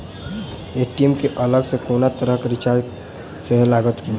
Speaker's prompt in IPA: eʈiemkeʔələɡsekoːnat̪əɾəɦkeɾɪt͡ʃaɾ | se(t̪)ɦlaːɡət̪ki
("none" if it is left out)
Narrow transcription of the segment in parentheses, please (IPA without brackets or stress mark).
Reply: none